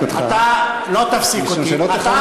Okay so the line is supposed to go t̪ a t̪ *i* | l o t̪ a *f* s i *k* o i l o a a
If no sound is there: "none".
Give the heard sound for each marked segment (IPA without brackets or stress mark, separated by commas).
a, f, k